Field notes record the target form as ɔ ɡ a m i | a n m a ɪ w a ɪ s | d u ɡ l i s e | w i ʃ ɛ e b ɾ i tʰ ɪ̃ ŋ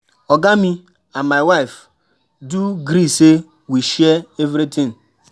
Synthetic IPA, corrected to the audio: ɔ ɡ a m i | a n m a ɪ w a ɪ f | d u ɡ ɾ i s e | w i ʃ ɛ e v ɾ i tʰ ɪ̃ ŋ